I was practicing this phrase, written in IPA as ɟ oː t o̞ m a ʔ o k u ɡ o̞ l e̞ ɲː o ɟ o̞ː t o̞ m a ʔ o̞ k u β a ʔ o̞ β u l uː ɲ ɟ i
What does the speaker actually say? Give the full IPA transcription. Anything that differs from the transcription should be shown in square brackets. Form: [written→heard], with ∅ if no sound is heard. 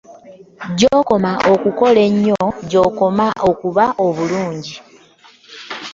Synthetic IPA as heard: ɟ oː [t→k] o̞ m a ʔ o k u [ɡ→k] o̞ l e̞ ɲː o ɟ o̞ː [t→k] o̞ m a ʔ o̞ k u β a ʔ o̞ β u l uː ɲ ɟ i